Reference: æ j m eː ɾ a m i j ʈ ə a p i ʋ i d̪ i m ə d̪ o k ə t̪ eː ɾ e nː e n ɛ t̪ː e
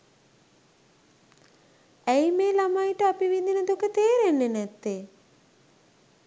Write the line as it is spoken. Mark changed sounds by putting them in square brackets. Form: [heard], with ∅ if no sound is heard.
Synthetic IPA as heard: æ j m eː [l] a m [a] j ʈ ə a p i ʋ i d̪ i [n] ə d̪ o k ə t̪ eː ɾ e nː e n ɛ t̪ː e